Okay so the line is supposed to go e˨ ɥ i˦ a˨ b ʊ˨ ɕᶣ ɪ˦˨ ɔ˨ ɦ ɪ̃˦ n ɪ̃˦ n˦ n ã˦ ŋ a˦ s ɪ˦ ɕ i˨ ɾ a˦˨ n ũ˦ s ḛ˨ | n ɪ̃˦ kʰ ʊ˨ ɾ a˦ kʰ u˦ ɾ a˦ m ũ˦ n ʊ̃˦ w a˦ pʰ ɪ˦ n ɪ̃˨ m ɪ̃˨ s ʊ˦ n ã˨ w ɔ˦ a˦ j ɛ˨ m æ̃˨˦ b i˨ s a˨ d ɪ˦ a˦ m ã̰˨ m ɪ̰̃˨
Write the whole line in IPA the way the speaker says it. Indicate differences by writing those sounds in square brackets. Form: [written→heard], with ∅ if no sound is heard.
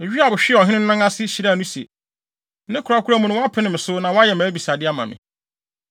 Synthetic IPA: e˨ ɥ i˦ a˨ b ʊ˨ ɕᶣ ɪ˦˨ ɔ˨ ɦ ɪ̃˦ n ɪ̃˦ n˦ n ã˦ ŋ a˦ s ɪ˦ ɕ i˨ ɾ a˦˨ n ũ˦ s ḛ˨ | n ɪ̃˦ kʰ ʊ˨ ɾ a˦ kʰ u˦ ɾ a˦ m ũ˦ n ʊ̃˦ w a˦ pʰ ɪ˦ n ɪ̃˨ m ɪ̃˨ s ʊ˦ n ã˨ w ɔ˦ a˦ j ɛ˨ m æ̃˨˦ b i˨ s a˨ d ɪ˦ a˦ m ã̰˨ m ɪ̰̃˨

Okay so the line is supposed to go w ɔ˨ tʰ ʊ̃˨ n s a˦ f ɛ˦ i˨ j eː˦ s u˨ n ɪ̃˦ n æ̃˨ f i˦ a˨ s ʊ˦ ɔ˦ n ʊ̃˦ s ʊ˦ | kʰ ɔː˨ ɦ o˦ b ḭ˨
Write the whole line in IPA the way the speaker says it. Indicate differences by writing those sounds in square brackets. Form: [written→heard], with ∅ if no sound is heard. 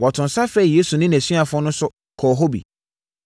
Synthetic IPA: w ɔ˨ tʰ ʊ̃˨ n s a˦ f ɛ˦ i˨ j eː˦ s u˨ n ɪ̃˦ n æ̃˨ [f→s] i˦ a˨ [s→f] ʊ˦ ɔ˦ n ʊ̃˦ s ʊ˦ | kʰ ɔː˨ ɦ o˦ b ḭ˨

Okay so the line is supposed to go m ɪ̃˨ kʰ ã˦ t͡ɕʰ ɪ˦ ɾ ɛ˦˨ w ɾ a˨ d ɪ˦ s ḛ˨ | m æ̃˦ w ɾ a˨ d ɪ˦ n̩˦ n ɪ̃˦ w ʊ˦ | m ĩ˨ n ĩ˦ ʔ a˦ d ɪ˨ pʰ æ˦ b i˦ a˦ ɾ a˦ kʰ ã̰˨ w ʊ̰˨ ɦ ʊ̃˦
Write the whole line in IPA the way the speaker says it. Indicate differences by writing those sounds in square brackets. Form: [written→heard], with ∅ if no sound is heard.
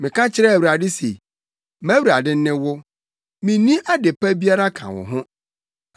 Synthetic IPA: m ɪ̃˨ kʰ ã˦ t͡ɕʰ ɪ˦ ɾ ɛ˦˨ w ɾ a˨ d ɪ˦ s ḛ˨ | m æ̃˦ w ɾ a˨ d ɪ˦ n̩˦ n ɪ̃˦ w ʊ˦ | m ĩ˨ n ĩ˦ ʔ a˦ d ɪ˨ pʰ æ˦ b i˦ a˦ ɾ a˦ kʰ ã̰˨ w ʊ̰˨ ɦ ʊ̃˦

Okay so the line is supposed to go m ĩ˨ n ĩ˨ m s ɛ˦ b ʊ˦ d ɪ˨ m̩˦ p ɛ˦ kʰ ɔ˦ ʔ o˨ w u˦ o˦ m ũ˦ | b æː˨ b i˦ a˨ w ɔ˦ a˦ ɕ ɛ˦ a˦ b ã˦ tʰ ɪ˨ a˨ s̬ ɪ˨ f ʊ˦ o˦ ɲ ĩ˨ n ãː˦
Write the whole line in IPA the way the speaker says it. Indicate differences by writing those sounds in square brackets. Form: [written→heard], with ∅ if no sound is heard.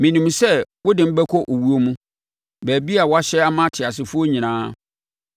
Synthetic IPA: m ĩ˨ n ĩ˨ m s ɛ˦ [b→w] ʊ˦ d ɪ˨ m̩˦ [p→b] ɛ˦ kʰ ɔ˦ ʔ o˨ w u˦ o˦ m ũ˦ | b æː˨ b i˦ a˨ w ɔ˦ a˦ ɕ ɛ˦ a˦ [b→m] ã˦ tʰ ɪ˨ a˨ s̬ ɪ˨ f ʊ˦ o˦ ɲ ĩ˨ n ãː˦

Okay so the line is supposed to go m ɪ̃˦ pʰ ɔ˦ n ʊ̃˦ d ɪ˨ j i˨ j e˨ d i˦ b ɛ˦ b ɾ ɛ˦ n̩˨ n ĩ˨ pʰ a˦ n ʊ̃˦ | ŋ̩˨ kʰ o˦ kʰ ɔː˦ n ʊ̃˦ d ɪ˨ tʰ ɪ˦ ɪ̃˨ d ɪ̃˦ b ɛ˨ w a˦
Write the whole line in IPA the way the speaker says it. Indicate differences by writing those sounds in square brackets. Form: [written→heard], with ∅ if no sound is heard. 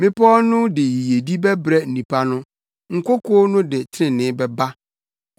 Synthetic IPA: m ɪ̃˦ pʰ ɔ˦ n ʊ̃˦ d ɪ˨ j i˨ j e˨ d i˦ b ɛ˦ b ɾ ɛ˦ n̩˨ n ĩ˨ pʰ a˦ n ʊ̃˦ | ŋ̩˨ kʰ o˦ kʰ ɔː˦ n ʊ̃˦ d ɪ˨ tʰ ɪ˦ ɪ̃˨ [d→n] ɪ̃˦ b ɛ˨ [w→b] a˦

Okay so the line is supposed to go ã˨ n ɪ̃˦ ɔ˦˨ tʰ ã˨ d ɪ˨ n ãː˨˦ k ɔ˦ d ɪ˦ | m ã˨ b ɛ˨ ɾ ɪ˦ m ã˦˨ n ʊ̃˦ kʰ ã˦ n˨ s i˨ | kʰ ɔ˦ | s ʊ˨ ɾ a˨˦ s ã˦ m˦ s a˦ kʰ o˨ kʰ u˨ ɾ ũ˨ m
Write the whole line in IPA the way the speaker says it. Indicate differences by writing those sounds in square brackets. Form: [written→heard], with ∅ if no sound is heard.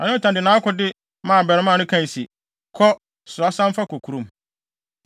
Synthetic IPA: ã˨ n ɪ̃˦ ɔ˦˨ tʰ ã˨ d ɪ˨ n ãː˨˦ k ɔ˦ d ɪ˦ | m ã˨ b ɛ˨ ɾ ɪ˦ m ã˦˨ n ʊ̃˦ kʰ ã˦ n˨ s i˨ | kʰ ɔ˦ | s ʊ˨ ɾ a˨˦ s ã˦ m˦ [s→f] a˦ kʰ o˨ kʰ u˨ ɾ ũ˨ m

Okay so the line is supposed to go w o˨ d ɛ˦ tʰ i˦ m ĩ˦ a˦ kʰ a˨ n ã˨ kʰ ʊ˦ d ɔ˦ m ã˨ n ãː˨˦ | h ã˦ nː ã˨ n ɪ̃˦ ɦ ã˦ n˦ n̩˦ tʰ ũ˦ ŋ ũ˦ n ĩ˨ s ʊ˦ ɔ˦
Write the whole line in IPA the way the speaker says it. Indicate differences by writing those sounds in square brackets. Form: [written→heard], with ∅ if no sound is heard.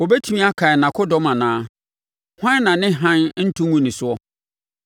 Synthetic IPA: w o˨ [d→b] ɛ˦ tʰ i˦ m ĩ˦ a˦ kʰ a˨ n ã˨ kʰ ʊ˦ d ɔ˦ m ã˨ n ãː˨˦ | h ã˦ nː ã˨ n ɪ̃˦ ɦ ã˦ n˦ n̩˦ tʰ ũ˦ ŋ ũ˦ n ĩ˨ s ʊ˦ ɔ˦

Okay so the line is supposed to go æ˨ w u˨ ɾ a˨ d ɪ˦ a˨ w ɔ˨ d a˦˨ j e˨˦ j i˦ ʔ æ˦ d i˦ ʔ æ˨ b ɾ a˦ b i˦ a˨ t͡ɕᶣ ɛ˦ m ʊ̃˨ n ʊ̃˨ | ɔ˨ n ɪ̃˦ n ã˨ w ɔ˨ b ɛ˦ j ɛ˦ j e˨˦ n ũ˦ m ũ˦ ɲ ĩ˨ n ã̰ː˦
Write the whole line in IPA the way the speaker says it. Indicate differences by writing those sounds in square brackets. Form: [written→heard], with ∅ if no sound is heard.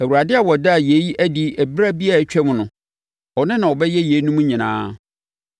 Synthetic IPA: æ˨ w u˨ ɾ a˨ d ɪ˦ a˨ w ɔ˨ d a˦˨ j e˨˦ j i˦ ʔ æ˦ d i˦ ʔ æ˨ b ɾ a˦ b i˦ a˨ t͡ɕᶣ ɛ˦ m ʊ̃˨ n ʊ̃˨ | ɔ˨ n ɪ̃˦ n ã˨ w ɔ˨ b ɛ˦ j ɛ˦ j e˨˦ n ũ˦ m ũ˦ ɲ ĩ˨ n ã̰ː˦

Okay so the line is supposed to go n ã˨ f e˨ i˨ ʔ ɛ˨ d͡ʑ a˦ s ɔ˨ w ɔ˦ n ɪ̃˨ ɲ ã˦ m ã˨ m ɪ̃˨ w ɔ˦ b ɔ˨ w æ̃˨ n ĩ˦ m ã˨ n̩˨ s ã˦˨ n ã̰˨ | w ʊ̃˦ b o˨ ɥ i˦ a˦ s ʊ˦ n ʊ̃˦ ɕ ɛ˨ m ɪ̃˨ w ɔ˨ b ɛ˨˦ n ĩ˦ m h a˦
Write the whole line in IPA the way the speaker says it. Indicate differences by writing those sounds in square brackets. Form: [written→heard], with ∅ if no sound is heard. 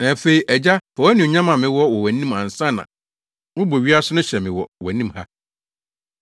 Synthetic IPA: n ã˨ f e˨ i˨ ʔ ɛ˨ d͡ʑ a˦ [s→f] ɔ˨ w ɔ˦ n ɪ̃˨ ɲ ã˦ m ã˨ m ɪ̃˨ w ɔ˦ [b→w] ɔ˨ w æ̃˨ n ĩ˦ m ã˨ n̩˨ s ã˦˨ n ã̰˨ | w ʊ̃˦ b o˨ ɥ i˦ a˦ s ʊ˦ n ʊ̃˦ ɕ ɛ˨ m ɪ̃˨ w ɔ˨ [b→w] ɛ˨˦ n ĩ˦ m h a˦

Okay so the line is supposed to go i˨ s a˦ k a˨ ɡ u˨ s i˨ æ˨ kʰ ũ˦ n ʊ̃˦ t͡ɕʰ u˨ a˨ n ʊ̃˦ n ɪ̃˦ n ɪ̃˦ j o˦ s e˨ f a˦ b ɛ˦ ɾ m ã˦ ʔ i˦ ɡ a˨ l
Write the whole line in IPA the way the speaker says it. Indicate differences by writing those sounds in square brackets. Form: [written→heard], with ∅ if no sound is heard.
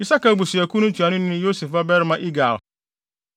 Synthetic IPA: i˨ s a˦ k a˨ [ɡ→b] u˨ s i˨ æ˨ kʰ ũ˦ n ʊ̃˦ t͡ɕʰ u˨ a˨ n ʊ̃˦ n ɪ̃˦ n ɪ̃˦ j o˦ s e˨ f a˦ b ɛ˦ ɾ m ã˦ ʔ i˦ ɡ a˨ l

